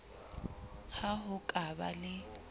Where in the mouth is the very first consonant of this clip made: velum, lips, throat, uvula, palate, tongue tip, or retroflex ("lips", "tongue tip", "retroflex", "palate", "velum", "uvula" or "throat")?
throat